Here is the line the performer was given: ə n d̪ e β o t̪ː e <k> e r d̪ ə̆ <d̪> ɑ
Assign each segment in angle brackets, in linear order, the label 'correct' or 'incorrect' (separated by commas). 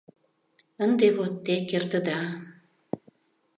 correct, correct